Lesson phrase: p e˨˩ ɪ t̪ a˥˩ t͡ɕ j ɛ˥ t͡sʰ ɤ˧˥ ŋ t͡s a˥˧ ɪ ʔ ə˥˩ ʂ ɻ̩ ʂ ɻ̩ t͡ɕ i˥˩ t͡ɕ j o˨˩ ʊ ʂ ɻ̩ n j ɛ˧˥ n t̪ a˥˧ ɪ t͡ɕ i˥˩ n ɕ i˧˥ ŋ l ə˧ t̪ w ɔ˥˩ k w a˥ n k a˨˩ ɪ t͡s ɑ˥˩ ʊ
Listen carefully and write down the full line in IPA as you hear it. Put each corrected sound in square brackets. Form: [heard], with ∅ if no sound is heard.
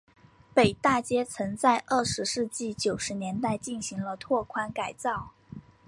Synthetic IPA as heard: p e˨˩ ɪ t̪ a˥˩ t͡ɕ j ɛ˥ t͡sʰ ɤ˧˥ ŋ t͡s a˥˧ ɪ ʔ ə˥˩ ʂ ɻ̩ ʂ ɻ̩ t͡ɕ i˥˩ t͡ɕ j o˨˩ ʊ ʂ ɻ̩ n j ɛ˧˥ n t̪ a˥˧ ɪ t͡ɕ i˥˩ n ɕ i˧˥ ŋ l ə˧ [t̪ʰ] w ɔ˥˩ [kʰ] w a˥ n k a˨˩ ɪ t͡s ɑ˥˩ ʊ